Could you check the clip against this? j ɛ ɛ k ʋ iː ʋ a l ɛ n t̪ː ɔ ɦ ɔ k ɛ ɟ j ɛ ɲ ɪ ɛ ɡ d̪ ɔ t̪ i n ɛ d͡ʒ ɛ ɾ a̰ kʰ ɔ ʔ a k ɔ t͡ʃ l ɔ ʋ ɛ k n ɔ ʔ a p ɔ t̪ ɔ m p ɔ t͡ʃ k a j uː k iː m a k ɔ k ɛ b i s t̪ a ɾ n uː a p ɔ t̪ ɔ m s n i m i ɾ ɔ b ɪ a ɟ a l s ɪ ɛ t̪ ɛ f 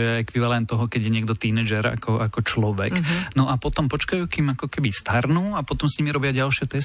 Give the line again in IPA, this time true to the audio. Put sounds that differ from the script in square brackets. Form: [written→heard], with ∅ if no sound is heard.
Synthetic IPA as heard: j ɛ ɛ k ʋ [iː→i] ʋ a l ɛ n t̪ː ɔ ɦ ɔ k ɛ ɟ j ɛ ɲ ɪ ɛ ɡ d̪ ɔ t̪ i n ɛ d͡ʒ ɛ ɾ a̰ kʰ ɔ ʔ a k ɔ t͡ʃ l ɔ ʋ ɛ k n ɔ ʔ a p ɔ t̪ ɔ m p ɔ t͡ʃ k a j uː k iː m a k ɔ k ɛ b i s t̪ a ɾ n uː a p ɔ t̪ ɔ m s [n→ɲ] i m i ɾ ɔ b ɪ a ɟ a l [s→ʃ] ɪ ɛ t̪ ɛ [f→s]